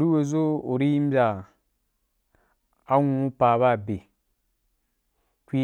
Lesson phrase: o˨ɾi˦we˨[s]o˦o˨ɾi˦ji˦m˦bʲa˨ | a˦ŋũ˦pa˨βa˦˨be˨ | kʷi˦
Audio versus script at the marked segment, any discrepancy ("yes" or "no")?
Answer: yes